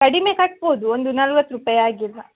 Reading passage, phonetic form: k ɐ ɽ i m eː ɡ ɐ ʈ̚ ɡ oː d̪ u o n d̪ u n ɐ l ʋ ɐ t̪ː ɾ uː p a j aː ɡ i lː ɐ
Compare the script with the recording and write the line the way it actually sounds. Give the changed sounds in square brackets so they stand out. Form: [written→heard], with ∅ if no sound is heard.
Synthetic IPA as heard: k ɐ ɽ i m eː [ɡ→k] ɐ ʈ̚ [ɡ→b] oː d̪ u o n d̪ u n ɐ l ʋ ɐ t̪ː ɾ [uː→u] p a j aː ɡ i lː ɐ